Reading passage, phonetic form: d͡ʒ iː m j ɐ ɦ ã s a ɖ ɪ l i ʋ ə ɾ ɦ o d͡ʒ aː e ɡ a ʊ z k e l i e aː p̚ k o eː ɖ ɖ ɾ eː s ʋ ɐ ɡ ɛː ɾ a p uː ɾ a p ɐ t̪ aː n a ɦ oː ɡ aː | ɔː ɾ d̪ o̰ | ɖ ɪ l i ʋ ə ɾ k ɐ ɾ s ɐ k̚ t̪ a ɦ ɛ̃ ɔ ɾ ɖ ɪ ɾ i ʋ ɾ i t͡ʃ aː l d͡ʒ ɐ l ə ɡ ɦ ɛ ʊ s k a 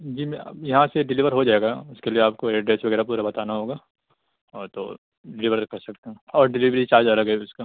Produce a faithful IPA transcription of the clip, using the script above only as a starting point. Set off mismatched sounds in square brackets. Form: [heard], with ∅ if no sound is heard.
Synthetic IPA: d͡ʒ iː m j ɐ ɦ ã s [e] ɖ ɪ l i ʋ ə ɾ ɦ o d͡ʒ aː e ɡ a ʊ [s] k e l i e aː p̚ k o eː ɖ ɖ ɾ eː s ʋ ɐ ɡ ɛː ɾ a p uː ɾ a [b] ɐ t̪ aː n a ɦ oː ɡ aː | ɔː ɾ [t̪] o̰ | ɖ ɪ l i ʋ ə ɾ k ɐ ɾ s ɐ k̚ t̪ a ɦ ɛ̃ [ɔː] ɾ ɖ ɪ [l] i ʋ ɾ i t͡ʃ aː [ɾ] d͡ʒ ɐ l ə ɡ ɦ ɛ ʊ s k a